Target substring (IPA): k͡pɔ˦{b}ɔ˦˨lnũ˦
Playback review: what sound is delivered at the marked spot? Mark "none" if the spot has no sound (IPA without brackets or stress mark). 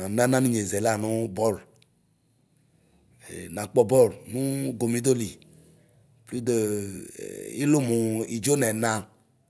b